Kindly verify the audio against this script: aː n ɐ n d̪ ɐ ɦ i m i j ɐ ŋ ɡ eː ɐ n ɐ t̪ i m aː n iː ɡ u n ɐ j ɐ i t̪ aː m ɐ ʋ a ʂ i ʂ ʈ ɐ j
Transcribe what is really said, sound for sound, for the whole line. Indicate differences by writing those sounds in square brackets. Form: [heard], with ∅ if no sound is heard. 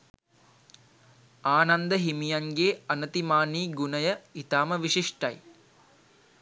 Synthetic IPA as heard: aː n ɐ n d̪ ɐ ɦ i m i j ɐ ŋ ɡ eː ɐ n ɐ t̪ i m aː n iː ɡ u n ɐ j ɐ i t̪ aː m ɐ ʋ [i] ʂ i ʂ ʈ ɐ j